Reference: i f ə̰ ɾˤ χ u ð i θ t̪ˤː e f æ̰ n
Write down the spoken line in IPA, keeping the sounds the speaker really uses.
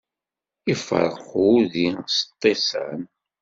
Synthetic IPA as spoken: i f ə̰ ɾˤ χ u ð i s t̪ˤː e s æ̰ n